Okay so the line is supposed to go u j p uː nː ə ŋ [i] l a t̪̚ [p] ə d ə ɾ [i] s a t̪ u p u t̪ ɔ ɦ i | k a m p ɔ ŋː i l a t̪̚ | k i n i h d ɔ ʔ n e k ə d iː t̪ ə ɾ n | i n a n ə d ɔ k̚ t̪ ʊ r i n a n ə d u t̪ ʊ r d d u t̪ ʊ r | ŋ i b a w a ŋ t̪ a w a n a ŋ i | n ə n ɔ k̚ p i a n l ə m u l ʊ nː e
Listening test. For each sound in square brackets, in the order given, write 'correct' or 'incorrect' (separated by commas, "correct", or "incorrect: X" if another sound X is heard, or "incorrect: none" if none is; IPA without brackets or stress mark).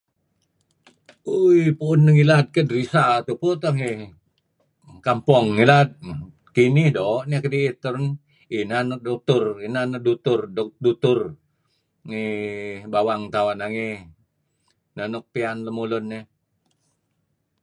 correct, incorrect: k, correct